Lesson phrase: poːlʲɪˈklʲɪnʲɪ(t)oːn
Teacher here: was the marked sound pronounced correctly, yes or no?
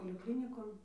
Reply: no